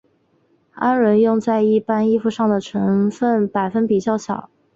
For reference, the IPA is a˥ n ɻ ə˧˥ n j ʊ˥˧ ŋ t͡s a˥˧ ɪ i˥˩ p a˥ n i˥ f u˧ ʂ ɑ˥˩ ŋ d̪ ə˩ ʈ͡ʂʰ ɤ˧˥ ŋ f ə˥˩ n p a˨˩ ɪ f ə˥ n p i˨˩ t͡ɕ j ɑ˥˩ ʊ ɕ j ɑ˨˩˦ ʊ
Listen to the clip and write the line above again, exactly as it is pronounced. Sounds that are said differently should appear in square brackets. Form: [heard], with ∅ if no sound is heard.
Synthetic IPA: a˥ n ɻ ə˧˥ n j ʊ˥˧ ŋ t͡s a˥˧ ɪ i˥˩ p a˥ n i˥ f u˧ ʂ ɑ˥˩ ŋ d̪ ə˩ ʈ͡ʂʰ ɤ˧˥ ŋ f ə˥˩ n p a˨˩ ɪ f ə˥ n p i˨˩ t͡ɕ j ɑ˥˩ ʊ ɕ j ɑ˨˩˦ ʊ